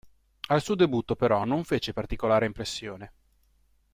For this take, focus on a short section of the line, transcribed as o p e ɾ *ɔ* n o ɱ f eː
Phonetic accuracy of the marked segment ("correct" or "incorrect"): correct